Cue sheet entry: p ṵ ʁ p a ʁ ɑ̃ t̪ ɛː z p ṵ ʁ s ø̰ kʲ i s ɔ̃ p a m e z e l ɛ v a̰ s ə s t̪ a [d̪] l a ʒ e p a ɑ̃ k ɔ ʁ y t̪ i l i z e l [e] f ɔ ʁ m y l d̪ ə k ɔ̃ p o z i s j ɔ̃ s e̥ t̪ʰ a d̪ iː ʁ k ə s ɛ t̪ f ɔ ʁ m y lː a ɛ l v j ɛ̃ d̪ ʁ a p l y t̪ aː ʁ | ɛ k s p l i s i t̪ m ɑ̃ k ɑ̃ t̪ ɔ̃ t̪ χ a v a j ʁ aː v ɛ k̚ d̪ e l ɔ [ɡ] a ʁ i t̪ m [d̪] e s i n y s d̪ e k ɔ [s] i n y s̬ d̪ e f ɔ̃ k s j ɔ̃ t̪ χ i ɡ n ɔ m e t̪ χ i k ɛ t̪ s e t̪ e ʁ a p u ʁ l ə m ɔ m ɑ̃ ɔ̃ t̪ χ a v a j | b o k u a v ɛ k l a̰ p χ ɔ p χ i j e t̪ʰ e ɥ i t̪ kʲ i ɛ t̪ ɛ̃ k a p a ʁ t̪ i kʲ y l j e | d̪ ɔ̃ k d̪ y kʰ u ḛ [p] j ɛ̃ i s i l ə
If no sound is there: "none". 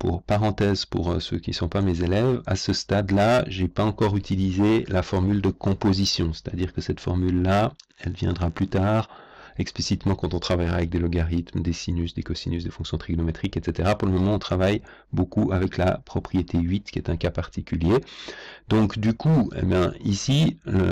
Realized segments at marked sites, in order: d̪, a, ɡ, d̪, s, b

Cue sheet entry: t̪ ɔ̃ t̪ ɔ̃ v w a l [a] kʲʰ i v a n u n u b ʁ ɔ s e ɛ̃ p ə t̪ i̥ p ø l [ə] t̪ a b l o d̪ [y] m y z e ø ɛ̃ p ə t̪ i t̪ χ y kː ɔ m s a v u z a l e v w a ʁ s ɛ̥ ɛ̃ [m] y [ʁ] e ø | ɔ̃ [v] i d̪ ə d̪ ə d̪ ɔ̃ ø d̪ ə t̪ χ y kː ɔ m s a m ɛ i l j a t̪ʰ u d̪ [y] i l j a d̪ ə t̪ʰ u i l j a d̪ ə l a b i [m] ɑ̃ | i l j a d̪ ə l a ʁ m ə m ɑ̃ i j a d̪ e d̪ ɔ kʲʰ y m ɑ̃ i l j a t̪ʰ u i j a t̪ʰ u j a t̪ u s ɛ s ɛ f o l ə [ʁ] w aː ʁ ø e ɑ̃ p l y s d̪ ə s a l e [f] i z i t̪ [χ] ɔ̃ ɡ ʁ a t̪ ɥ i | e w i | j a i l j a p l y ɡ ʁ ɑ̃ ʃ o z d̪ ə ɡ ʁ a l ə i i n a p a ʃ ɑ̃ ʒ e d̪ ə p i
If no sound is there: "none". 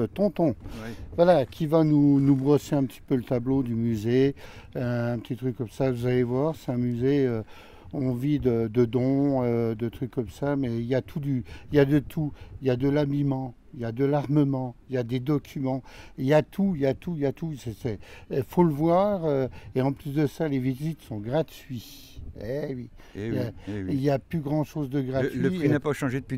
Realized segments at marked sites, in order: a, ə, y, m, z, v, y, m, v, v, s

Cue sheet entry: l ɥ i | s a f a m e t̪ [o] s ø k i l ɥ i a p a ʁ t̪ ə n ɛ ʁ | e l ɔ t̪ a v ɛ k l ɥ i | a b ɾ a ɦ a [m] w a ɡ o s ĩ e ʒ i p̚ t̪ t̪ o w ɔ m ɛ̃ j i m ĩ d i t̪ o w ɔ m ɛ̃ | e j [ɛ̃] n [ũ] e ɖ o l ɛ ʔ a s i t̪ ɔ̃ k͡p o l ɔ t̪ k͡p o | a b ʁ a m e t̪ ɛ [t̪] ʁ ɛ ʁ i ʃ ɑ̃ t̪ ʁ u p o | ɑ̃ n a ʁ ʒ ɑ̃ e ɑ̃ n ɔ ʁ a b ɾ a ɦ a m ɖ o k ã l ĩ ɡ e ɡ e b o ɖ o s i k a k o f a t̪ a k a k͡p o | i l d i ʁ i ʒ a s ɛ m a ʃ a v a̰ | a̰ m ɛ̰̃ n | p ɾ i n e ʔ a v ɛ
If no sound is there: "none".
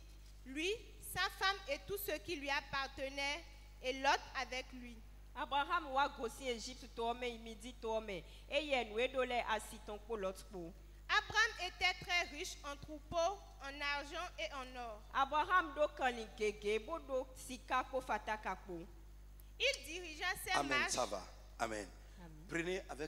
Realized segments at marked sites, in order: u, m, ɛ, ũ, t̪

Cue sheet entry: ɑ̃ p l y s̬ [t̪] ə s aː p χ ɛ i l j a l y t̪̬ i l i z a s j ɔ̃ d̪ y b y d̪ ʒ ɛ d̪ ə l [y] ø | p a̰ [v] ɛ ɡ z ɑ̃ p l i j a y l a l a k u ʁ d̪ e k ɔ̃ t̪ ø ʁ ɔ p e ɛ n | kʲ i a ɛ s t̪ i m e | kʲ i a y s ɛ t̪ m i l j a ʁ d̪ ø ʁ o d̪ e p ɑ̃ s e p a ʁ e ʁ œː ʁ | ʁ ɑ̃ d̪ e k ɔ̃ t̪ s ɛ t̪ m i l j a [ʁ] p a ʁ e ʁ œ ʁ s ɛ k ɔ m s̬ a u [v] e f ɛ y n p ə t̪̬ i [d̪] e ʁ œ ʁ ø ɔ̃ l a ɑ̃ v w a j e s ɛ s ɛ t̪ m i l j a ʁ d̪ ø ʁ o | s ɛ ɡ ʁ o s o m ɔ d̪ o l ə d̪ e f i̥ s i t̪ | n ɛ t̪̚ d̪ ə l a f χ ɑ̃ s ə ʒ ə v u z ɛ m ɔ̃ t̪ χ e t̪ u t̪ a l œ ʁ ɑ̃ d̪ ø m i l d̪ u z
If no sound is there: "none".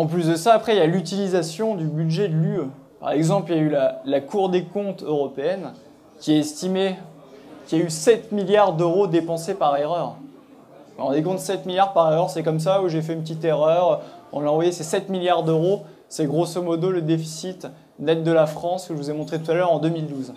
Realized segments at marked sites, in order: d̪, y, ʁ, ʁ, ʒ, t̪

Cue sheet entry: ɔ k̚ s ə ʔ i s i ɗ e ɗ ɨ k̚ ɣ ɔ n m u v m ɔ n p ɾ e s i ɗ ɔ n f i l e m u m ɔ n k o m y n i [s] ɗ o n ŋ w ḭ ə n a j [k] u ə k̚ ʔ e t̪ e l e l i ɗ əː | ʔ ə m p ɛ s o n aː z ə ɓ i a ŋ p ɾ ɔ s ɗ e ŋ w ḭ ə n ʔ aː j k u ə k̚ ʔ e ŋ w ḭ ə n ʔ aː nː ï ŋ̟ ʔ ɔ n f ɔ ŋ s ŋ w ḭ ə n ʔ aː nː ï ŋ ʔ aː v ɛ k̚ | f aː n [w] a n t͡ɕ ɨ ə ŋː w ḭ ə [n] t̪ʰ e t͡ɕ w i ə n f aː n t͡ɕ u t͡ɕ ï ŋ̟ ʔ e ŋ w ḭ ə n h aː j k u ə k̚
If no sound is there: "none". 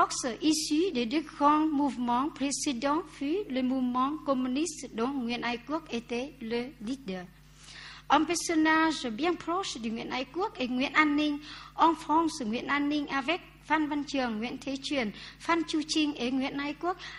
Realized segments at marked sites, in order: s, k, v, n

